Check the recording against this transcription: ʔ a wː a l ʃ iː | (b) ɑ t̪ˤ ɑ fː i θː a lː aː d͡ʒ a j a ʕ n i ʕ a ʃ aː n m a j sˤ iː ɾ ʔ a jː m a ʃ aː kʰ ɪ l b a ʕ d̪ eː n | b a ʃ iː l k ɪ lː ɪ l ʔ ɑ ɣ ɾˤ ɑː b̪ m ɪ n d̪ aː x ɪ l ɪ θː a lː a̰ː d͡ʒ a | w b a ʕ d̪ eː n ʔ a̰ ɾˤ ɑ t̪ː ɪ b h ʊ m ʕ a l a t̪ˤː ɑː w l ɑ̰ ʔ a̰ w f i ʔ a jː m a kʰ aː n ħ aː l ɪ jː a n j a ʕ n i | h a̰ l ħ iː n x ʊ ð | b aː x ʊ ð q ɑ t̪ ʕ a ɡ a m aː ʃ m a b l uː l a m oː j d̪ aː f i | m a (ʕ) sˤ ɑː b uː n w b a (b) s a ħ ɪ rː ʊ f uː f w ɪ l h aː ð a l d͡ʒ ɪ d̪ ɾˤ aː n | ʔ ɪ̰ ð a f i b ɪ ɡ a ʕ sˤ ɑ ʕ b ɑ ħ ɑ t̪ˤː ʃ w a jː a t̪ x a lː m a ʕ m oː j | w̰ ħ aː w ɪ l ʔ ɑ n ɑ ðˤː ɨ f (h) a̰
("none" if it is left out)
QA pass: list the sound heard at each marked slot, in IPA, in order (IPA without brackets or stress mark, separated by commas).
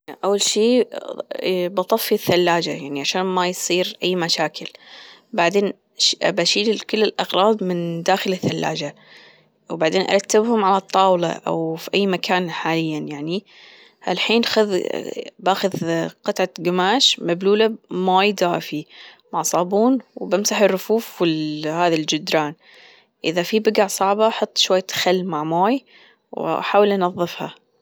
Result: b, ʕ, m, h